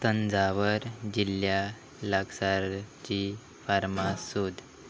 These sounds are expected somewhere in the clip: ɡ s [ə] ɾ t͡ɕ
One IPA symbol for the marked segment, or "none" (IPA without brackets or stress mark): a